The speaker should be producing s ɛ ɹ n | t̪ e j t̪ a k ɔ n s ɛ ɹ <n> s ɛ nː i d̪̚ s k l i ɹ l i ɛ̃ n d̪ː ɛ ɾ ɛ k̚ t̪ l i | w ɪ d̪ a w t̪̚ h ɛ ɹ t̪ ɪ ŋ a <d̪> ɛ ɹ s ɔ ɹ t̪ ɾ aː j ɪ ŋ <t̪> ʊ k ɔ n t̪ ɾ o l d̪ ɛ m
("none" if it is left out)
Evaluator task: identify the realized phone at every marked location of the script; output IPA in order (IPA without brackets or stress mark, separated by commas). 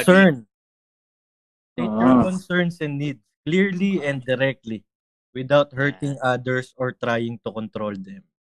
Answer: n, d̪, t̪